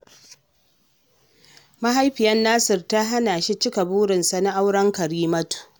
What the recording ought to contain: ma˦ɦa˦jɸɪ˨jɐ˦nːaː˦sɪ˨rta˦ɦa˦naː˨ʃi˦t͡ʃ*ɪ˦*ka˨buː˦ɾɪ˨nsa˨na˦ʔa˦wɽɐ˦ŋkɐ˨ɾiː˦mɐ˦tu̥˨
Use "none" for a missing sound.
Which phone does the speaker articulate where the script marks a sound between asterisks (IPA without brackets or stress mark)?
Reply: ɪ˦